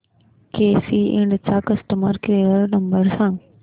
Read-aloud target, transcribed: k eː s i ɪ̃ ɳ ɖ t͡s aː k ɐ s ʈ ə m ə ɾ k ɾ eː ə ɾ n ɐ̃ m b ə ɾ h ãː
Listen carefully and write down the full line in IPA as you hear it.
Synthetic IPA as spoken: k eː s i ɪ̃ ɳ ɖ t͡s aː k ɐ s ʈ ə m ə ɾ k ɾ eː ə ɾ n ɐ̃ m b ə ɾ s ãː